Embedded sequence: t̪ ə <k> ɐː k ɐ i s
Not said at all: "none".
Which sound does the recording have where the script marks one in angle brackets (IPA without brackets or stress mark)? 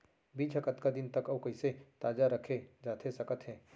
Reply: k